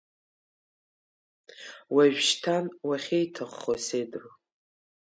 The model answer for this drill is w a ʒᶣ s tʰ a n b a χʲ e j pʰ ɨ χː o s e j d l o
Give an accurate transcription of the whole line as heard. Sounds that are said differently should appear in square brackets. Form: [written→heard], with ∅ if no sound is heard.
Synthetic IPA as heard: w a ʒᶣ [s→ʃ] tʰ a n [b→w] a χʲ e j [pʰ→tʰ] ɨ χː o s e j d [l→r] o